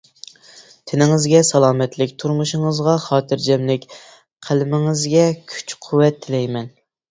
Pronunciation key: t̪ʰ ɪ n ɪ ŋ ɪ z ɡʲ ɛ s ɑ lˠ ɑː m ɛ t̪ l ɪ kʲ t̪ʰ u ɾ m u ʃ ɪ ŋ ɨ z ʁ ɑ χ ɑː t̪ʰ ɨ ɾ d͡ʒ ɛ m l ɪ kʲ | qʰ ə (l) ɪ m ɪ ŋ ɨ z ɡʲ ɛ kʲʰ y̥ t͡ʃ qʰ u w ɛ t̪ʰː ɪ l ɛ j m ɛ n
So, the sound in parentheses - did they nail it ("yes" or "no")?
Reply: yes